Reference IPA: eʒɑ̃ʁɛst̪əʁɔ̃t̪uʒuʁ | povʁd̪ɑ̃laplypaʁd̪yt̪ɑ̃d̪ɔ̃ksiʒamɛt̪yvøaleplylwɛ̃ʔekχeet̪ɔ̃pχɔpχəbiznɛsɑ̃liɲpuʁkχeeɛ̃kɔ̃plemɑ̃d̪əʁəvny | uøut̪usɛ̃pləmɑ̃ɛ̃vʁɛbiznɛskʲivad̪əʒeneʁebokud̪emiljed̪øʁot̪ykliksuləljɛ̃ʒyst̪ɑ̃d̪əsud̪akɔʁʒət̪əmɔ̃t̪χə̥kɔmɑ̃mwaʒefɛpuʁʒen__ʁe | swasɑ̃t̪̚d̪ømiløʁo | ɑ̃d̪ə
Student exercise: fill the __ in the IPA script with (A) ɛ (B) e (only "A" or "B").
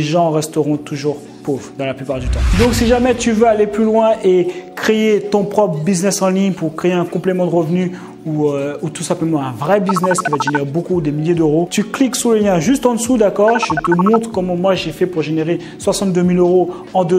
B